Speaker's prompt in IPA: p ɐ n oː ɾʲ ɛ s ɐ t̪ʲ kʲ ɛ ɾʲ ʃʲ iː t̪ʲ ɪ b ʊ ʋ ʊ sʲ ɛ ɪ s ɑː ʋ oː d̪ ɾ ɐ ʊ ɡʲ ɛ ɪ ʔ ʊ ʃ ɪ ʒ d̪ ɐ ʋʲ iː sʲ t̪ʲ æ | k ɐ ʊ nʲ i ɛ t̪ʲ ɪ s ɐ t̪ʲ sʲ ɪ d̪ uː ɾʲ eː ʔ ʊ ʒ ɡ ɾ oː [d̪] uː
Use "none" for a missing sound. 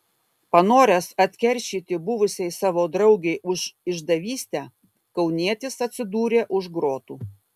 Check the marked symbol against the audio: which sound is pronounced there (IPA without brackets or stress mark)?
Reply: t̪